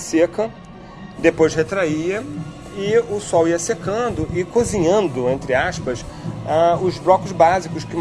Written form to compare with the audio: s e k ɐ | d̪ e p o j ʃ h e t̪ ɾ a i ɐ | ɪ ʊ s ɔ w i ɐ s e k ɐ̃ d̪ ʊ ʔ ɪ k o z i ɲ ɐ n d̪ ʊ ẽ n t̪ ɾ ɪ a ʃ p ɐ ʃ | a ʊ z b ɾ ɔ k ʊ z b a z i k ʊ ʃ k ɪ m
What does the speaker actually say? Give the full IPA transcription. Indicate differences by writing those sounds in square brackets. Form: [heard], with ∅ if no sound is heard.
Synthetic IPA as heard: s e k ɐ | d̪ e p o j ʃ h e t̪ ɾ a i ɐ | ɪ ʊ s ɔ w i ɐ s e k ɐ̃ d̪ ʊ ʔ ɪ k o z i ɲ [ɐ̃] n d̪ ʊ ẽ n t̪ ɾ ɪ a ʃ p ɐ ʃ | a ʊ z b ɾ ɔ k ʊ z b a z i k ʊ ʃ k ɪ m